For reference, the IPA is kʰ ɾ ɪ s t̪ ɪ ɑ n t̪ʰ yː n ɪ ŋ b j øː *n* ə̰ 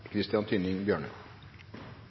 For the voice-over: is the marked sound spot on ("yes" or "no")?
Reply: no